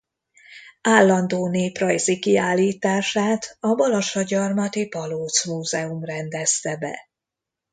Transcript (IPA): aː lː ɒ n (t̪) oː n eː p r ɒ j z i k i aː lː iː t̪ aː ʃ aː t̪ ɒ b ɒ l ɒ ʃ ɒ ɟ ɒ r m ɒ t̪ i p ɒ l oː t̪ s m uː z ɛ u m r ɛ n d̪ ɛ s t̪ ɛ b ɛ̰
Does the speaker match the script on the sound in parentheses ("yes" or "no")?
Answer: no